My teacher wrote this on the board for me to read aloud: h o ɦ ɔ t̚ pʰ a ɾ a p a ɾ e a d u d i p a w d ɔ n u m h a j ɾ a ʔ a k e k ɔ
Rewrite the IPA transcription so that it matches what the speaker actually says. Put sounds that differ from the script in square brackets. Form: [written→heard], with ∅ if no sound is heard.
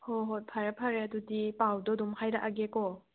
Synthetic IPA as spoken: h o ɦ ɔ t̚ pʰ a ɾ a [p→pʰ] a ɾ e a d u d i p a w d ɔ [n→d] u m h a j ɾ a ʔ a [k→ɡ] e k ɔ

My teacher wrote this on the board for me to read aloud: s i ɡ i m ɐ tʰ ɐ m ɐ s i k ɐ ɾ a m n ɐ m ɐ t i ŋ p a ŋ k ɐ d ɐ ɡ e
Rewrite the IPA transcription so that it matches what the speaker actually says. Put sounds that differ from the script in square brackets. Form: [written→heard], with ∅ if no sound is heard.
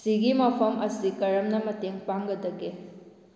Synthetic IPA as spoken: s i ɡ i m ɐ [tʰ→pʰ] ɐ m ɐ s i k ɐ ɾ [a→ɐ] m n ɐ m ɐ t [i→e] ŋ p a ŋ [k→ɡ] ɐ d ɐ ɡ e

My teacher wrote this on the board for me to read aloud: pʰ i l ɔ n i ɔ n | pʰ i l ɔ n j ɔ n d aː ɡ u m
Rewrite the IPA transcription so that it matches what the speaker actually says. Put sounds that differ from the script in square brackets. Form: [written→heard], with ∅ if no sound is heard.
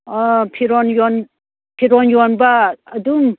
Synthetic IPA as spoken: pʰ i [l→ɾ] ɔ n [i→j] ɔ n | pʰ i [l→ɾ] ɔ n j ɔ n [d→b] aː [ɡ→d] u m

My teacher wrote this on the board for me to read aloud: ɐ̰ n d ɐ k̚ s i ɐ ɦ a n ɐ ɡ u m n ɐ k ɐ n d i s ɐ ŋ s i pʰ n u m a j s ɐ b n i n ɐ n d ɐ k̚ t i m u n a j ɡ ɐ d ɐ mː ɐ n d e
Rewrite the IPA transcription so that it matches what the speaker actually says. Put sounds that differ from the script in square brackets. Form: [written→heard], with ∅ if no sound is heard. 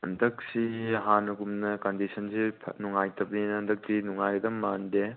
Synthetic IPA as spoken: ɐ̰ n d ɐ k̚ s i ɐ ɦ a n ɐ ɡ u m n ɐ k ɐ n d i s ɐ [ŋ→n] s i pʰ n u [m→ŋ] a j [s→t] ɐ b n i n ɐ n d ɐ k̚ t i [m→n] u [n→ŋ] a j ɡ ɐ d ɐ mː [ɐ→a] n d e

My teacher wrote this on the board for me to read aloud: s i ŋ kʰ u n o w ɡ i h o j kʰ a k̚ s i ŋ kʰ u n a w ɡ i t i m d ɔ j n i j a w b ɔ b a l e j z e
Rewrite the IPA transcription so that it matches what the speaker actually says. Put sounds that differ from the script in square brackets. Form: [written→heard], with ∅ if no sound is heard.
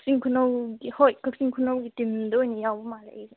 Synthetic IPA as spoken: s i ŋ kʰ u n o w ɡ i h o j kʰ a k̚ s i ŋ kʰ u n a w ɡ i t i m d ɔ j n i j a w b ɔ [b→m] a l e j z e

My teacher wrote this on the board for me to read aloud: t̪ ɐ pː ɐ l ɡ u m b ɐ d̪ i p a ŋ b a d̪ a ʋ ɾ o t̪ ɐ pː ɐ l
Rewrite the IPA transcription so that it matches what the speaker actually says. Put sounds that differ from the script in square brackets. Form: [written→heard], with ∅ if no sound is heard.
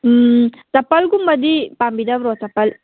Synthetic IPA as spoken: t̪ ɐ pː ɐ l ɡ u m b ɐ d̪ i p a [ŋ→m] b [a→i] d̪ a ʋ ɾ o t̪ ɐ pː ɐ l

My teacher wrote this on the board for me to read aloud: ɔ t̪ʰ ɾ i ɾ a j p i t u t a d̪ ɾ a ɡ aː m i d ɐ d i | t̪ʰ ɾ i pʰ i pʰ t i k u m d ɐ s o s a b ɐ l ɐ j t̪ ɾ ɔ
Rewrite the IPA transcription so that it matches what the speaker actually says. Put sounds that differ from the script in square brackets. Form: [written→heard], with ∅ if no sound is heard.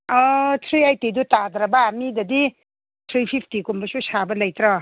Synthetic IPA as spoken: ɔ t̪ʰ ɾ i [ɾ→∅] a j [p→t] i [t→d] u t a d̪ ɾ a [ɡ→b] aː m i d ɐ d i | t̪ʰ ɾ i pʰ i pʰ t i k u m [d→b] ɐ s [o→u] s a b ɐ l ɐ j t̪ ɾ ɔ

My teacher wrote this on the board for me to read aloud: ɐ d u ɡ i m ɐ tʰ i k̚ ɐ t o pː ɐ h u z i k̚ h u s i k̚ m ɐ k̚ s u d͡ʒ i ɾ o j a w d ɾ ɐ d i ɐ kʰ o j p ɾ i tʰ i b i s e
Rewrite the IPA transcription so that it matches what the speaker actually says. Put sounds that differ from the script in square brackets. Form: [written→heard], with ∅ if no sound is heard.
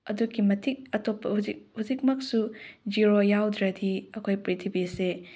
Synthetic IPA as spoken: ɐ d u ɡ i m ɐ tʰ i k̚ ɐ t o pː ɐ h u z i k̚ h u [s→z] i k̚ m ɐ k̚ s u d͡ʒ i ɾ o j a w d ɾ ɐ d i ɐ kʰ o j p ɾ i tʰ i b i s e

